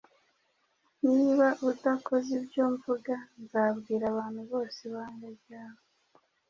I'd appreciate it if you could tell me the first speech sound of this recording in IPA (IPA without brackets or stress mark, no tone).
n